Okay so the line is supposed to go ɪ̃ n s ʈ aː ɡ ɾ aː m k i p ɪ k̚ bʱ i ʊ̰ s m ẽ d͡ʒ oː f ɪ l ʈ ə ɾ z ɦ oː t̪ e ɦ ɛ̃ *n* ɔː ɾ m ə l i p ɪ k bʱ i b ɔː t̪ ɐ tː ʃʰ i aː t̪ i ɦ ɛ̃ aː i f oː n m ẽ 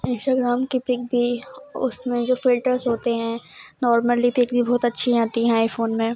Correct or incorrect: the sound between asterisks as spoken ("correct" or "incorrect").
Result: correct